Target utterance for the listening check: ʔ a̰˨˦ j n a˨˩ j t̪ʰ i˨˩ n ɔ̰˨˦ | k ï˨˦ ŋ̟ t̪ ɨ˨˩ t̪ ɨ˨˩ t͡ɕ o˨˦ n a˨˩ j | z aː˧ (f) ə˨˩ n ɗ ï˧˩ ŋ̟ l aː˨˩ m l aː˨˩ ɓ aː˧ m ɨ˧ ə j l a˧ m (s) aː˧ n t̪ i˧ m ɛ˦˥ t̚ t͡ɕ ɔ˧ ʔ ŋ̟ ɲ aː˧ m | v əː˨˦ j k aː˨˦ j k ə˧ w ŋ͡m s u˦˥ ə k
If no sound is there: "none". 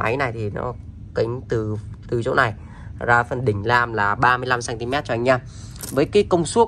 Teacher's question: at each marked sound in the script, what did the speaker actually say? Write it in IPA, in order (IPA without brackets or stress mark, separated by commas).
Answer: f, s